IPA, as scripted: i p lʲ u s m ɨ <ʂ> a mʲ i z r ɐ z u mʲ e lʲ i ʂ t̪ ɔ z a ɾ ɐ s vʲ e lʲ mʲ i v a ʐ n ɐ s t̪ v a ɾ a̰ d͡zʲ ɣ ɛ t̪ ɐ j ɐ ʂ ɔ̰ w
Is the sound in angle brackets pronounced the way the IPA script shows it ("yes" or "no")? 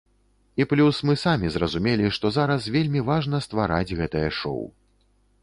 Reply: no